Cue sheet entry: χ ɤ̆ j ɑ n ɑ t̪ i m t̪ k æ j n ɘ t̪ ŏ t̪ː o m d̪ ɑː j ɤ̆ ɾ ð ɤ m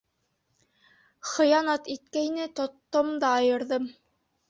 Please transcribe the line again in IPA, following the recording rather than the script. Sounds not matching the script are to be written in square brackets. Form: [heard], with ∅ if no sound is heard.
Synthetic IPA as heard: χ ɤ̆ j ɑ n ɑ t̪ i [∅] t̪ k æ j n ɘ t̪ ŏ t̪ː o m d̪ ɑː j ɤ̆ ɾ ð ɤ m